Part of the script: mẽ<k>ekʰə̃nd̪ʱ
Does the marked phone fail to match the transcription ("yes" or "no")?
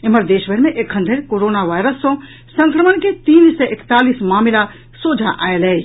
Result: yes